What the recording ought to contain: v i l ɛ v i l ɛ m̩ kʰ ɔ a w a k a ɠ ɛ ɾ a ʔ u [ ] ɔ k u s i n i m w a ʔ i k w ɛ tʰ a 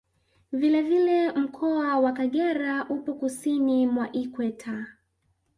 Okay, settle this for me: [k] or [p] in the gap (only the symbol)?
p